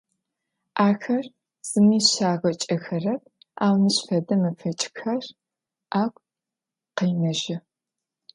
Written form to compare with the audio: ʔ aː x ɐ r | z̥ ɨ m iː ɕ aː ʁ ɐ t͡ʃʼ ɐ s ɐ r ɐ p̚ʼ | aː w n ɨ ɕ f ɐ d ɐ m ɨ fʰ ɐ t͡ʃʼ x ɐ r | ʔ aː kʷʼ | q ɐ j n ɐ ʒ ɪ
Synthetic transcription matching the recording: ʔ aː x ɐ r | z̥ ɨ m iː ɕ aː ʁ ɐ t͡ʃʼ ɐ x ɐ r ɐ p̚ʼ | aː w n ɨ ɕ f ɐ d ɐ m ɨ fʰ ɐ t͡ʃʼ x ɐ r | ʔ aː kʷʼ | q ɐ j n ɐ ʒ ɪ